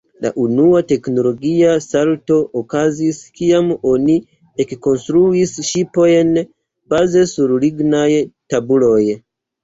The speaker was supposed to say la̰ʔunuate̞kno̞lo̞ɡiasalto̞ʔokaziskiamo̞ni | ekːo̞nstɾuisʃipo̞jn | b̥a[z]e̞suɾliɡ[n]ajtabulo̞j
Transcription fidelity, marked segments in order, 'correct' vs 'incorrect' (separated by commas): correct, correct